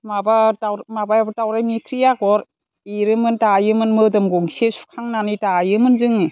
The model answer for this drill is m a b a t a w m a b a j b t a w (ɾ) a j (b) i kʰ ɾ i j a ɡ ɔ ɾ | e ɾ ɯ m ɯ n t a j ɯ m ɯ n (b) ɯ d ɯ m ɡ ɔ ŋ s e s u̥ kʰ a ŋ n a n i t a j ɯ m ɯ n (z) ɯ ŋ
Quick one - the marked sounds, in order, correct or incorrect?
correct, incorrect: m, incorrect: m, correct

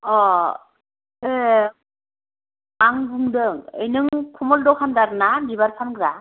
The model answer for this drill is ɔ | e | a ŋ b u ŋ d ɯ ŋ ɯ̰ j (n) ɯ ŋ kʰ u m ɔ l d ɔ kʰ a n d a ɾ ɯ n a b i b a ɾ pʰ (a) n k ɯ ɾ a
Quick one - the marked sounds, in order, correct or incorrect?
correct, correct

